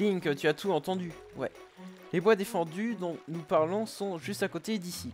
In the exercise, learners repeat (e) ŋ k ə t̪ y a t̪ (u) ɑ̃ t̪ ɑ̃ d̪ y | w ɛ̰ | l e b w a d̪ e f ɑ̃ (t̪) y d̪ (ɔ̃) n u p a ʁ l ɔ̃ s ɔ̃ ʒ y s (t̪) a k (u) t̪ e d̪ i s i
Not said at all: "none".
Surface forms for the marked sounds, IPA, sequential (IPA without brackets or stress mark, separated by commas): i, u, d̪, ɔ̃, t̪, o